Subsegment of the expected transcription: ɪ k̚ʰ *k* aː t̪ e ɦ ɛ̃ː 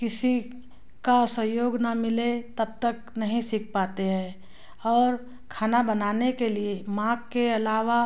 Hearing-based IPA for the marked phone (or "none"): p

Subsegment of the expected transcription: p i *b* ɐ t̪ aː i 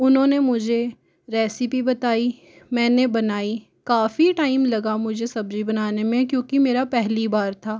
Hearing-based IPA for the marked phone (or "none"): b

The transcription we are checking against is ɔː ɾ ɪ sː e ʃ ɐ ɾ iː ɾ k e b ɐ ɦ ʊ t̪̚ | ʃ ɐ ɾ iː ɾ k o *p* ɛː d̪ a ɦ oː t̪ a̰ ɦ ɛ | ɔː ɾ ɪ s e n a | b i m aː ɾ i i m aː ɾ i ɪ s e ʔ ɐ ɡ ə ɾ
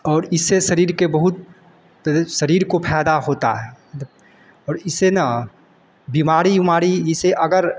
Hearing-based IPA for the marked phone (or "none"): pʰ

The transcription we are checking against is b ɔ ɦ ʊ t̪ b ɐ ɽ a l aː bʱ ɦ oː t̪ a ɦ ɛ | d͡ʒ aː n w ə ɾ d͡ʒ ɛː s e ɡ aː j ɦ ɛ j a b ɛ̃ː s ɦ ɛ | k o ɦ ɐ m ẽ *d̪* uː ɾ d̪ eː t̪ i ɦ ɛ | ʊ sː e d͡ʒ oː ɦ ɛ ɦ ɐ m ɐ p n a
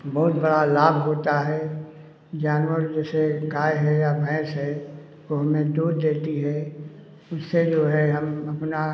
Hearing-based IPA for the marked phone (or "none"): d̪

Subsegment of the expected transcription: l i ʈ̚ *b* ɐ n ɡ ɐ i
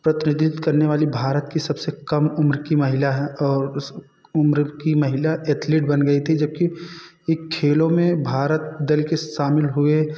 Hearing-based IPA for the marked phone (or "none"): b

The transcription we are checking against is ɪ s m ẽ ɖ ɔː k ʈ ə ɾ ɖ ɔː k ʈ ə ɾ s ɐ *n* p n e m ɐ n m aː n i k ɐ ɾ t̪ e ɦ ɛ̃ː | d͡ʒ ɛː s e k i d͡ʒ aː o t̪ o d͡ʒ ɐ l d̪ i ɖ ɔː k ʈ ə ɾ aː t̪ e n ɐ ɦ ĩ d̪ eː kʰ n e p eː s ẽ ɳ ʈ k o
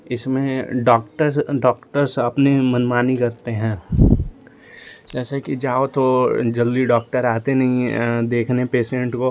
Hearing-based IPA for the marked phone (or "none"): none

